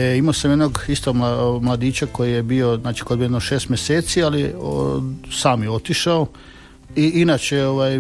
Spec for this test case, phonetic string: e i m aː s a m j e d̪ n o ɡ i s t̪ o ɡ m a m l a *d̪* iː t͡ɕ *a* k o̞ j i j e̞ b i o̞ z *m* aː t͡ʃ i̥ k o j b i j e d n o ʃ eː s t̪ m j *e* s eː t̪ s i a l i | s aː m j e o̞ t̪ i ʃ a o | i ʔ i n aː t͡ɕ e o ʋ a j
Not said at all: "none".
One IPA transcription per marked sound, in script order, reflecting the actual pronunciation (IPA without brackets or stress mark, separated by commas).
d̪, a, n, e